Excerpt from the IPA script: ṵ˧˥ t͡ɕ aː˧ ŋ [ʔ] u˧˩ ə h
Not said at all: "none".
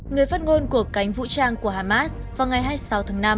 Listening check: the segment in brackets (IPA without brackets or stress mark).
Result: k